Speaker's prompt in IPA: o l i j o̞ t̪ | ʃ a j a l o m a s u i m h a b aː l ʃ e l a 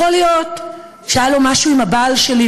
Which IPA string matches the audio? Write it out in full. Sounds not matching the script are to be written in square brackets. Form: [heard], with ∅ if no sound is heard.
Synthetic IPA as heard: o l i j o̞ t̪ | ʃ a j a l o m a [ʃ] u i m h a b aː l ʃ e l [i]